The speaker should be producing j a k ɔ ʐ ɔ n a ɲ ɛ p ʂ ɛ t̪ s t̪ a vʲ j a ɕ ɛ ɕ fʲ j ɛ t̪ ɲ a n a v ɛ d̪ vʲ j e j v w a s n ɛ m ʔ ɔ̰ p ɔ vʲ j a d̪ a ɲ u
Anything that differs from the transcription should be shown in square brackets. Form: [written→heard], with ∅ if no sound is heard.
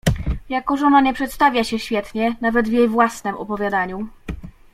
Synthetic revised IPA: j a k ɔ ʐ ɔ n a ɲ ɛ p ʂ ɛ t̪ s t̪ a vʲ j a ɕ ɛ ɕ fʲ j ɛ t̪ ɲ [a→ɛ] n a v ɛ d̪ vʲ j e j v w a s n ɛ m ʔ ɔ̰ p ɔ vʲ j a d̪ a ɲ u